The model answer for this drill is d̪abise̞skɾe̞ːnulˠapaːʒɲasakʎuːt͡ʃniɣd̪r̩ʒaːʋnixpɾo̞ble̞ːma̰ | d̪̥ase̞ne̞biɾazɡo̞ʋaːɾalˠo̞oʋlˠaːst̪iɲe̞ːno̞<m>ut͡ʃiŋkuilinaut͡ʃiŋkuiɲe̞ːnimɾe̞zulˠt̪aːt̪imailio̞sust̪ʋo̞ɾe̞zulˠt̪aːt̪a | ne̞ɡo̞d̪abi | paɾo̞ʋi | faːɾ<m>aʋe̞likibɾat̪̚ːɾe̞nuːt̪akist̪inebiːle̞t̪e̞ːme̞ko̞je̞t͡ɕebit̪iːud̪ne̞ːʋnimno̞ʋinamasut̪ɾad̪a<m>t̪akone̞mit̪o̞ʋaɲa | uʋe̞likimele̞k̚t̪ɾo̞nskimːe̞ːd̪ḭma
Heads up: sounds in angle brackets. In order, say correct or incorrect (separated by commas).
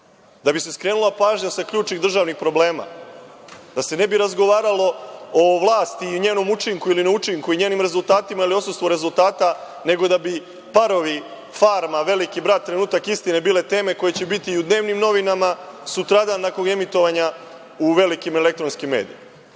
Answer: correct, correct, incorrect